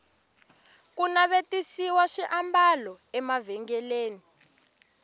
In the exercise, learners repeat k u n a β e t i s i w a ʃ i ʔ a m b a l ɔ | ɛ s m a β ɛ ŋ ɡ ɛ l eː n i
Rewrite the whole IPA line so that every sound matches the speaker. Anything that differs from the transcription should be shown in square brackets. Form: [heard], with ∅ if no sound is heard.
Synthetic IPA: k u n a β e t i s i w a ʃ i ʔ a m b a l ɔ | ɛ [∅] m a [v] ɛ ŋ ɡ ɛ l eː n i